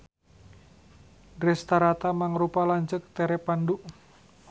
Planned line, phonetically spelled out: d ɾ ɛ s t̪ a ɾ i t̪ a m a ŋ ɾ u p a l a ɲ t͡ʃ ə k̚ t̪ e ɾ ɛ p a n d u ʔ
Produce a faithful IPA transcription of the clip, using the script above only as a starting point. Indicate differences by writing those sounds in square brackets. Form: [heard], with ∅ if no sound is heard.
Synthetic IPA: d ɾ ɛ s t̪ a ɾ [a] t̪ a m a ŋ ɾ u p a l a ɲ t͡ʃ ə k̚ t̪ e ɾ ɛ p a n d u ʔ